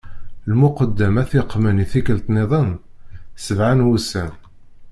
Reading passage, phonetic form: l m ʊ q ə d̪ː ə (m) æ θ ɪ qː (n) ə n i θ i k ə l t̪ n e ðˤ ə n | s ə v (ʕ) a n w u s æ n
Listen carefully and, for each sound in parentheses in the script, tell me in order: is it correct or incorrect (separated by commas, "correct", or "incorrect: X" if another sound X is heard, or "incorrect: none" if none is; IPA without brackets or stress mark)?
correct, incorrect: m, correct